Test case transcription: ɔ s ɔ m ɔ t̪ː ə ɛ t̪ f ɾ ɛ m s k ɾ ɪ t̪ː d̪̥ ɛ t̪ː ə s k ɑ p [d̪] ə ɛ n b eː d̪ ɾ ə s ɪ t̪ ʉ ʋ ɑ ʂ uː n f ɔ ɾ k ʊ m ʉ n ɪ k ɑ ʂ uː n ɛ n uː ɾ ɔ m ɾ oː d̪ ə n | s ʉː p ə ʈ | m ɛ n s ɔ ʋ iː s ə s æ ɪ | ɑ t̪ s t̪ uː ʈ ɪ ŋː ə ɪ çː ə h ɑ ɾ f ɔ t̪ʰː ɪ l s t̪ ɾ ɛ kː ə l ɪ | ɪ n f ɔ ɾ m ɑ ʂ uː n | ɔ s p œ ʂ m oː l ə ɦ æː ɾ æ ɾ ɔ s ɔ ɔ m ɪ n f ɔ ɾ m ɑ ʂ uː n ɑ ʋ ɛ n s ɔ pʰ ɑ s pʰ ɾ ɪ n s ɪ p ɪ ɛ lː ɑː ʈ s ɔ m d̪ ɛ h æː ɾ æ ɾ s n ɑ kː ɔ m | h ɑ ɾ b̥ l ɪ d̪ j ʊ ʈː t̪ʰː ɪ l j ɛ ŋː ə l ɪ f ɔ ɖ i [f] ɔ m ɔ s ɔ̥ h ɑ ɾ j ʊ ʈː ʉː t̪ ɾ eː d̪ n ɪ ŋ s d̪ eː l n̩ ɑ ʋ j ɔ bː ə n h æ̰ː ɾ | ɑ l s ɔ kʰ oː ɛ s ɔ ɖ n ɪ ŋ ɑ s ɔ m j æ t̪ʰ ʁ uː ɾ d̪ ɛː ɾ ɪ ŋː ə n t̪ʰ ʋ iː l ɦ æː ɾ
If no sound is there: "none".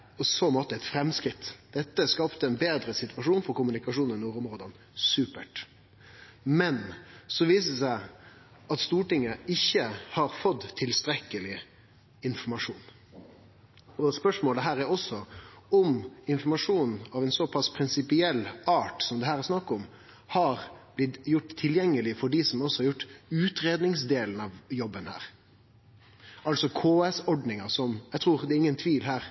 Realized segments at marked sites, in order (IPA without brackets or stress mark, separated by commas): t̪, s